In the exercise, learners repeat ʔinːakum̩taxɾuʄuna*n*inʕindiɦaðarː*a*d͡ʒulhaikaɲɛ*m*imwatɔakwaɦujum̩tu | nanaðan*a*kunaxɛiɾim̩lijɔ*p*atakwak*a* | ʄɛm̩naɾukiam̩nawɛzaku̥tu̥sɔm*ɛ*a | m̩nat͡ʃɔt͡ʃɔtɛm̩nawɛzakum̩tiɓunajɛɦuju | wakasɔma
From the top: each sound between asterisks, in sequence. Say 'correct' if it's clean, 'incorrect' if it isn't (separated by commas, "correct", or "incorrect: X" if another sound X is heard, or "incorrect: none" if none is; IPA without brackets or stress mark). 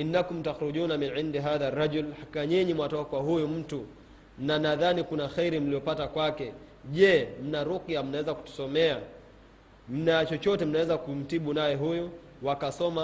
incorrect: m, correct, incorrect: ɲ, incorrect: i, correct, incorrect: ɛ, correct